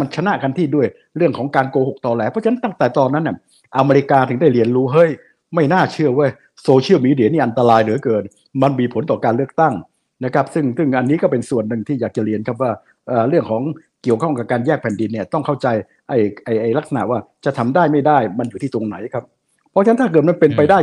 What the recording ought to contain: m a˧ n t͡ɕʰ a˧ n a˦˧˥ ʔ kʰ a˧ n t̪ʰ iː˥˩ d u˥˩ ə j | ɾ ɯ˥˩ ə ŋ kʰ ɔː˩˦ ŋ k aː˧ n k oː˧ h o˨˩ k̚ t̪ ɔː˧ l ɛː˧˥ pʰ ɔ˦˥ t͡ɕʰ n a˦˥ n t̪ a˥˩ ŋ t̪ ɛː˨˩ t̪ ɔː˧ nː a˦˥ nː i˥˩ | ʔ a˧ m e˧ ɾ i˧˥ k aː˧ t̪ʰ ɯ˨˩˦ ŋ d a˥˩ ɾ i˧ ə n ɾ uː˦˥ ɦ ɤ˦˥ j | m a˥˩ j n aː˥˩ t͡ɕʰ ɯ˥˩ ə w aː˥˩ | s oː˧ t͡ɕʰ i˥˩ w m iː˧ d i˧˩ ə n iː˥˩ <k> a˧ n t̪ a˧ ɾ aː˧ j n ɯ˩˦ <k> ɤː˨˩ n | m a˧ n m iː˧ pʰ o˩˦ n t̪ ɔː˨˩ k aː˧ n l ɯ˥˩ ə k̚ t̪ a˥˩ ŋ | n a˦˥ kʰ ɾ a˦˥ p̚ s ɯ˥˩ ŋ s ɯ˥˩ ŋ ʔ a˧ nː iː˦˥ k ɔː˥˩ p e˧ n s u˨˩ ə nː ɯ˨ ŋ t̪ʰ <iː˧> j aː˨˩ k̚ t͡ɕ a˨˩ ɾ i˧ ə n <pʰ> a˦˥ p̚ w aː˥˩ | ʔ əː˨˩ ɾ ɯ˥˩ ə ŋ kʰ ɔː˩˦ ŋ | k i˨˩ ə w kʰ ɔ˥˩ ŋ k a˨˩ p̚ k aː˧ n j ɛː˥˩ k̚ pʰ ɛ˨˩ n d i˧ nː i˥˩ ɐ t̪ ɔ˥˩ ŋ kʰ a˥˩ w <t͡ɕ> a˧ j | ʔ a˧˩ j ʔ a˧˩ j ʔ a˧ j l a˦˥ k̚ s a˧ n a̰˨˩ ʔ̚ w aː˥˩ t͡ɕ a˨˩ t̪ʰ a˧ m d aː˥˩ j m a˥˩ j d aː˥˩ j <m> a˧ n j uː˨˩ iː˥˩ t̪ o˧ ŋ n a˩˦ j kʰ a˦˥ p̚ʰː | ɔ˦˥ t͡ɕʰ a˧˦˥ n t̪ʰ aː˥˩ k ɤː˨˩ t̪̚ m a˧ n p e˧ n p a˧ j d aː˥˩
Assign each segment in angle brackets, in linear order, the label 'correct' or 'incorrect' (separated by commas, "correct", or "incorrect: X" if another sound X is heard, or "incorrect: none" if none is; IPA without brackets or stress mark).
incorrect: ʔ, correct, incorrect: iː˥˩, incorrect: kʰ, correct, correct